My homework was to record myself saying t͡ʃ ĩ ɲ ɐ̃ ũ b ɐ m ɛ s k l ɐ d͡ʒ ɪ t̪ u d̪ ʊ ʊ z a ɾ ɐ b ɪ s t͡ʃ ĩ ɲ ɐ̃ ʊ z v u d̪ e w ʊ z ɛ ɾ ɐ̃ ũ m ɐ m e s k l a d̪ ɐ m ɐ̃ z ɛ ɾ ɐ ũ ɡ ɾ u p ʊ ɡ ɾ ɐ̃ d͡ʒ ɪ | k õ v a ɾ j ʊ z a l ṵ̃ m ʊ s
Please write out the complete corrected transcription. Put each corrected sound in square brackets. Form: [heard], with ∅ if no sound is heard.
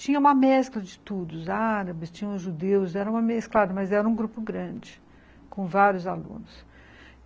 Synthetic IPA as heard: t͡ʃ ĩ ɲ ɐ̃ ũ [m] ɐ m ɛ s k l ɐ d͡ʒ ɪ t̪ u d̪ ʊ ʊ z a ɾ ɐ b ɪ s t͡ʃ ĩ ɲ ɐ̃ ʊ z [ʒ] u d̪ e w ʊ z ɛ ɾ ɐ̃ ũ m ɐ m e s k l a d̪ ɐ m [ɐ] z ɛ ɾ ɐ ũ ɡ ɾ u p ʊ ɡ ɾ ɐ̃ d͡ʒ ɪ | k õ v a ɾ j ʊ z a l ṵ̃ [n] ʊ s

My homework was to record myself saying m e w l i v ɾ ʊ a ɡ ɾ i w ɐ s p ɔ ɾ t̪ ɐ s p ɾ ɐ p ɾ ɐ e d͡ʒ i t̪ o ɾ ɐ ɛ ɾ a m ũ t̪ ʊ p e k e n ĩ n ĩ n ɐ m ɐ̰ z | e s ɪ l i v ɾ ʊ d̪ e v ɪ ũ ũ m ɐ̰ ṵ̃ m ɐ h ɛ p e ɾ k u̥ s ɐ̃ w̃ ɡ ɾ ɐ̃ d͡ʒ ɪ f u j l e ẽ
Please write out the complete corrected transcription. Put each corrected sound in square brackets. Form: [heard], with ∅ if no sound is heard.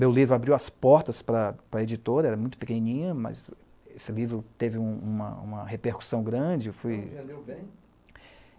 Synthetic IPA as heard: m e w l i v ɾ ʊ a [b] ɾ i w ɐ s p ɔ ɾ t̪ ɐ s p ɾ ɐ p ɾ ɐ e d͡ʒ i t̪ o ɾ ɐ ɛ ɾ [ɐ] m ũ t̪ ʊ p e k e n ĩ n ĩ [ɲ] ɐ m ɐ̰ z | e s ɪ l i v ɾ ʊ [t̪] e v ɪ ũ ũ m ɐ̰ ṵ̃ m ɐ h [e] p e ɾ k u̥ s ɐ̃ w̃ ɡ ɾ ɐ̃ d͡ʒ ɪ f u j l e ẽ

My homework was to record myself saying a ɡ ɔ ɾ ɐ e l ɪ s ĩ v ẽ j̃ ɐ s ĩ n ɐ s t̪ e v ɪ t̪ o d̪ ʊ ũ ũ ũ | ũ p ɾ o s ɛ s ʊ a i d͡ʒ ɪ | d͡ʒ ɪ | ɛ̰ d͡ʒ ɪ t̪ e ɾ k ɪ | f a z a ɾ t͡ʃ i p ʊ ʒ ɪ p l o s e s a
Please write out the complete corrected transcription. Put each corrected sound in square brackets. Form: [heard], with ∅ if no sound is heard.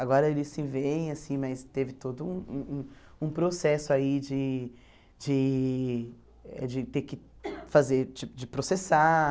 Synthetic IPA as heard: a ɡ ɔ ɾ ɐ e l ɪ s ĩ v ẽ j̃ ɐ s ĩ [m] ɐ s t̪ e v ɪ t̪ o d̪ ʊ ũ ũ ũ | ũ p ɾ o s ɛ s ʊ a i d͡ʒ ɪ | d͡ʒ ɪ | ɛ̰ d͡ʒ ɪ t̪ e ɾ k ɪ | f a z [e] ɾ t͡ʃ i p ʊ [d͡ʒ] ɪ p [ɾ] o s e s a

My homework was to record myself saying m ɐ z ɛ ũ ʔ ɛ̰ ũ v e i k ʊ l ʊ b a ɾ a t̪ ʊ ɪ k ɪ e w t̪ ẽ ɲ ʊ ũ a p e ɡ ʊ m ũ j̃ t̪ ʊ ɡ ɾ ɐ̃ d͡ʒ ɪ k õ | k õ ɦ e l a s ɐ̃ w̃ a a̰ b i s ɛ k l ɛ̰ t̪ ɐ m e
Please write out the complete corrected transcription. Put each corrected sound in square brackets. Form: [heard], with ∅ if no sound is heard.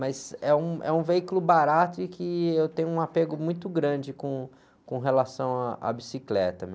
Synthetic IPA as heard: m ɐ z ɛ ũ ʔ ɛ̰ ũ v e i k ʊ l ʊ b a ɾ a t̪ ʊ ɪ k ɪ e w t̪ ẽ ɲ ʊ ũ a p e ɡ ʊ m ũ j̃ t̪ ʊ ɡ ɾ ɐ̃ d͡ʒ ɪ k õ | k õ ɦ e l a s ɐ̃ w̃ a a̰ b i s [i] k l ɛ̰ t̪ ɐ m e

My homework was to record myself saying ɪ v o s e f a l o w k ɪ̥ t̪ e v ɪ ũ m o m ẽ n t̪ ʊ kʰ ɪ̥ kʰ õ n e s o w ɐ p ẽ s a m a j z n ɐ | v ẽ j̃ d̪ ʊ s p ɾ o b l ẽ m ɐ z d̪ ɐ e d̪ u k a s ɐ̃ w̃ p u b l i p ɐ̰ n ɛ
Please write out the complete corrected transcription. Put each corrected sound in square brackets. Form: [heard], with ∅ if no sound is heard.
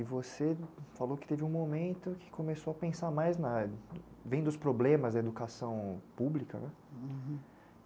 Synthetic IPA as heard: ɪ v o s e f a l o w k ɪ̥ t̪ e v ɪ ũ m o m ẽ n t̪ ʊ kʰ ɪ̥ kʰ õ [m] e s o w ɐ p ẽ s a m a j z n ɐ | v ẽ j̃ d̪ ʊ s p ɾ o b l ẽ m ɐ z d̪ ɐ e d̪ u k a s ɐ̃ w̃ p u b l i [k] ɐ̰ n ɛ

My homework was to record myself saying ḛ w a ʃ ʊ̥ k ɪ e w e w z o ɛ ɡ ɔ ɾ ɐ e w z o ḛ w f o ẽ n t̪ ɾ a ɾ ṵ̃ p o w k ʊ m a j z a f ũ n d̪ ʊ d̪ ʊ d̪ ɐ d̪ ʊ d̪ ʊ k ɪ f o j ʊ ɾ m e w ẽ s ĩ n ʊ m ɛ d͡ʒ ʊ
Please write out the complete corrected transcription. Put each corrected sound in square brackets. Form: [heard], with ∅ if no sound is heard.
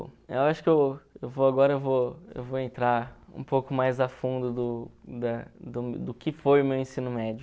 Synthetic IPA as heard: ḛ w a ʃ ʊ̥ k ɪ e w e w [v] o [a] ɡ ɔ ɾ ɐ e w [v] o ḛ w [v] o ẽ n t̪ ɾ a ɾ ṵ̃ p o w k ʊ m a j z a f ũ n d̪ ʊ d̪ ʊ d̪ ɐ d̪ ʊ d̪ ʊ k ɪ f o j ʊ [∅] m e w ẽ s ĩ n ʊ m ɛ d͡ʒ ʊ

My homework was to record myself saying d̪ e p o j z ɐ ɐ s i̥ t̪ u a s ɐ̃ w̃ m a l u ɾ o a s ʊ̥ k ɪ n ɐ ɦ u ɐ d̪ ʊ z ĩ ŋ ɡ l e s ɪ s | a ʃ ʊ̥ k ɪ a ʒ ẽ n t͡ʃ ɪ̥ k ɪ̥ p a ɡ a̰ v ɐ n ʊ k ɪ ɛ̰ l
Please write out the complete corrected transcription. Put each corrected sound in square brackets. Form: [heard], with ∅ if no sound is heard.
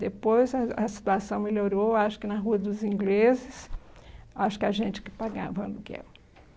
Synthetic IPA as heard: d̪ e p o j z ɐ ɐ s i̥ t̪ u a s ɐ̃ w̃ m [e] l [o] ɾ o a [ʃ] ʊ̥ k ɪ n ɐ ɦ u ɐ d̪ ʊ z ĩ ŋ ɡ l e [z] ɪ s | a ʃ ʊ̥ k ɪ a ʒ ẽ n t͡ʃ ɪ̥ k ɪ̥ p a ɡ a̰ v ɐ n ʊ k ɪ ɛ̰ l

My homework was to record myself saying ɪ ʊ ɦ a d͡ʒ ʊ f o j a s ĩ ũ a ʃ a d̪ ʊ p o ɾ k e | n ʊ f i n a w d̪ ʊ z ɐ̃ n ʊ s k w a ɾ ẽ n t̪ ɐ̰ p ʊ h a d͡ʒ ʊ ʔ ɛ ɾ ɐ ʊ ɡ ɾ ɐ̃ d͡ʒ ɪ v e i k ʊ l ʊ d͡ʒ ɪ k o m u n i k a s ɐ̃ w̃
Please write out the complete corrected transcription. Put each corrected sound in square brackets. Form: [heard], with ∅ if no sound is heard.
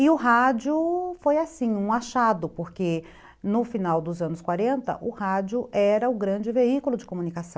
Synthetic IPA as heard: ɪ ʊ ɦ a d͡ʒ ʊ f o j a s ĩ ũ a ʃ a d̪ ʊ p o ɾ k e | n ʊ f i n a w d̪ ʊ z ɐ̃ n ʊ s k w a ɾ ẽ n t̪ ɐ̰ [ʔ] ʊ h a d͡ʒ ʊ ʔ ɛ ɾ ɐ ʊ ɡ ɾ ɐ̃ d͡ʒ ɪ v e i k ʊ l ʊ d͡ʒ ɪ k o m u n i k a s ɐ̃ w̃

